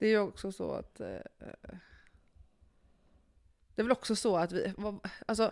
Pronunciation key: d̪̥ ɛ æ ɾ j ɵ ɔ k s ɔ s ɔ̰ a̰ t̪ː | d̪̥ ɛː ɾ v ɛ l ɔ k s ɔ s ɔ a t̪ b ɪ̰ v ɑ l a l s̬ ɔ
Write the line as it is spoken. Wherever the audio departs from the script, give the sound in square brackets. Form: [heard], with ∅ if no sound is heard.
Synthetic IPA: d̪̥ ɛ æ ɾ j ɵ ɔ k s ɔ s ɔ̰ a̰ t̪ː | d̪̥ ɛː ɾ v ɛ l ɔ k s ɔ s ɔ a t̪ [v] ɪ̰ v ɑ [∅] a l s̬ ɔ